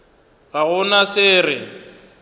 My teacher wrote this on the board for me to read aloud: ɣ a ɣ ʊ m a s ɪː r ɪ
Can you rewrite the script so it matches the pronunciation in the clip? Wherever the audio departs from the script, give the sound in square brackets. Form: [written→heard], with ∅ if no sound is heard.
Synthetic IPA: ɣ a ɣ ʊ [m→n] a s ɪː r ɪ